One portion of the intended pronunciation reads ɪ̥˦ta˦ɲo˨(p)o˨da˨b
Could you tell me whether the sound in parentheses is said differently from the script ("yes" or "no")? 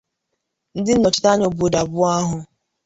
yes